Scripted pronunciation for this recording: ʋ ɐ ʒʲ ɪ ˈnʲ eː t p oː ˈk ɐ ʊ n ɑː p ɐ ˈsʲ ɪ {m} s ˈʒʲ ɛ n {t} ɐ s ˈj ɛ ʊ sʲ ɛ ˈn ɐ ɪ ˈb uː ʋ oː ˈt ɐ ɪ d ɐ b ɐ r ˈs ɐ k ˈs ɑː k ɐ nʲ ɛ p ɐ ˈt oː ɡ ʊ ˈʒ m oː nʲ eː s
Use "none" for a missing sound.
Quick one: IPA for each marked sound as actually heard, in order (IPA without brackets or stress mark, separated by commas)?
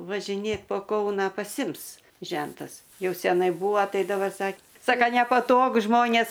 m, t